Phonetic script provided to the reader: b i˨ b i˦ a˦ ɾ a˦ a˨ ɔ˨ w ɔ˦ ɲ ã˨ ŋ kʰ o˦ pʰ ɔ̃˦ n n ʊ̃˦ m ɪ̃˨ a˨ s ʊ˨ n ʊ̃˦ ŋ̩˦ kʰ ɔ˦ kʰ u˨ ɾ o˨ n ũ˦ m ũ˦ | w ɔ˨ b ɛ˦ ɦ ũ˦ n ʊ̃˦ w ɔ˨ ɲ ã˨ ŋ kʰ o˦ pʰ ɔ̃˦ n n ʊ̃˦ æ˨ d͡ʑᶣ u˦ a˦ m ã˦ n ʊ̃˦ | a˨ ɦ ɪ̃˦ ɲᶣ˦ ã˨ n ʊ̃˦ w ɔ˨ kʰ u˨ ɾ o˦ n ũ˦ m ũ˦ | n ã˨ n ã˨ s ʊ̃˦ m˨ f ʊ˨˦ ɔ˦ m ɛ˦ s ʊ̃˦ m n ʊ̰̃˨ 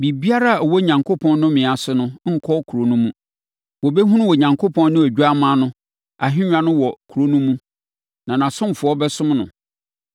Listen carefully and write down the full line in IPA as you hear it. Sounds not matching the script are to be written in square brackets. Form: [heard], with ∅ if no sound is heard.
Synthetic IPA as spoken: b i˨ b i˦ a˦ ɾ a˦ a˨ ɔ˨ w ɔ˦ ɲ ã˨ ŋ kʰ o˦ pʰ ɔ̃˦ n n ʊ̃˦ m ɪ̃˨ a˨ s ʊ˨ n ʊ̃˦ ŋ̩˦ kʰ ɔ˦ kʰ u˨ ɾ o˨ n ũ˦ m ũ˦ | w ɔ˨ b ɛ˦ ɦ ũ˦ n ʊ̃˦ w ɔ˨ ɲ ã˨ ŋ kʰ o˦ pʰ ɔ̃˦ n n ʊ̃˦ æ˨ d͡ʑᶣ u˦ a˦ m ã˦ n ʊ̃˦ | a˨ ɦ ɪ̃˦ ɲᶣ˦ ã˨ n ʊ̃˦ w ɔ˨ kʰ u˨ ɾ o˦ n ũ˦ m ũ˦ | n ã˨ n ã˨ s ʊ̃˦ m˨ f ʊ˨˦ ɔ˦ [b] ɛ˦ s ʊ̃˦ m n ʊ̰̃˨